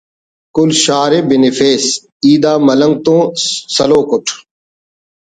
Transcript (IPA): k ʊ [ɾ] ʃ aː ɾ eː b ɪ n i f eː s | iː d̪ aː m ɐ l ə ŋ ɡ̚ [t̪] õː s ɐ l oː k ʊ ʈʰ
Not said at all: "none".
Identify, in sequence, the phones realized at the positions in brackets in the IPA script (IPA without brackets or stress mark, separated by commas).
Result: l, t̪